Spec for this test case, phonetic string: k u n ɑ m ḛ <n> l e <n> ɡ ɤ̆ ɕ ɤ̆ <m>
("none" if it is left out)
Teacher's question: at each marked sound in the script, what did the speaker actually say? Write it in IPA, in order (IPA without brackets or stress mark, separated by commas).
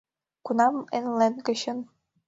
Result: n, n, n